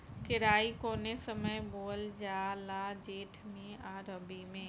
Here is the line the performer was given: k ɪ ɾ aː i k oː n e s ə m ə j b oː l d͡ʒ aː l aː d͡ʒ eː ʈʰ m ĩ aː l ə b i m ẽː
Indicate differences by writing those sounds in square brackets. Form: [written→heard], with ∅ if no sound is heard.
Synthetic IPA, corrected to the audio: k ɪ ɾ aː i k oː n e s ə m ə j b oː l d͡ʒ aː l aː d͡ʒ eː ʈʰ m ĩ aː [l→ɾ] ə b i m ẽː